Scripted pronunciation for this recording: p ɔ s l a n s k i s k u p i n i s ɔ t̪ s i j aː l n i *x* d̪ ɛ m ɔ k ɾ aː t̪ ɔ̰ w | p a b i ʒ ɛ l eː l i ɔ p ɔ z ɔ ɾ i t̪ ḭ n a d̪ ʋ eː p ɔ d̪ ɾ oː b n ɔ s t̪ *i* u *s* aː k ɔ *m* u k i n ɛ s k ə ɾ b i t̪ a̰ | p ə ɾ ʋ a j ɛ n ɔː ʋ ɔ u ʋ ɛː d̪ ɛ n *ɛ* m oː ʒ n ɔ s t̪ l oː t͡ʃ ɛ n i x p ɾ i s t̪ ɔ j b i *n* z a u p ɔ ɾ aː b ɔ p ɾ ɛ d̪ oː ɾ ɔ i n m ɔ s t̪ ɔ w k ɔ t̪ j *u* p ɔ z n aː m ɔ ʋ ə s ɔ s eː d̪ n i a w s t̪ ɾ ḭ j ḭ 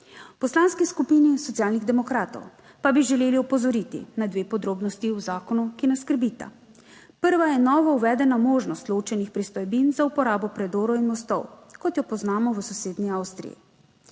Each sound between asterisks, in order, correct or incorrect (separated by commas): incorrect, correct, incorrect, incorrect, incorrect, correct, incorrect